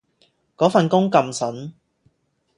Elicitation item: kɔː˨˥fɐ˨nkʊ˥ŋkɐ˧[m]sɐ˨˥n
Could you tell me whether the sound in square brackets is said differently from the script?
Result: no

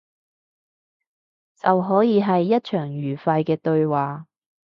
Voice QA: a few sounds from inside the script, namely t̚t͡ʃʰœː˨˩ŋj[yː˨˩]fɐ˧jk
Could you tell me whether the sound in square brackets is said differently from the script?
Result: no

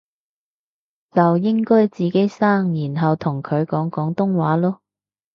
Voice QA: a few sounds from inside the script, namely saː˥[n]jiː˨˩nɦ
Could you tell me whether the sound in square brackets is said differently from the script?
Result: yes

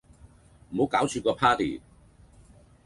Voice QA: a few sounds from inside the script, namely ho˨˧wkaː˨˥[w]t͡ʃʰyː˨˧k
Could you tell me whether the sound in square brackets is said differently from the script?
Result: no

